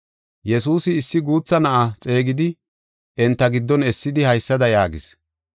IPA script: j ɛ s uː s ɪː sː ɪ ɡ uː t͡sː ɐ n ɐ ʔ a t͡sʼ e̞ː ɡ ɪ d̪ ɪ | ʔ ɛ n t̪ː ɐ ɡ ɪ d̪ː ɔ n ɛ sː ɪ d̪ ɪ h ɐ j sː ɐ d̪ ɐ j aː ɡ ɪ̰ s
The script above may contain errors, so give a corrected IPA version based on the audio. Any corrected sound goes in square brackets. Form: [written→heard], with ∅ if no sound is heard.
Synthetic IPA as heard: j ɛ s uː s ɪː sː ɪ ɡ uː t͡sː ɐ n ɐ ʔ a t͡sʼ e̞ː ɡ ɪ d̪ ɪ | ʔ ɛ n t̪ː ɐ ɡ ɪ d̪ː ɔ n ɛ sː ɪ d̪ ɪ h ɐ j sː ɐ d̪ ɐ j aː ɡ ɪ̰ s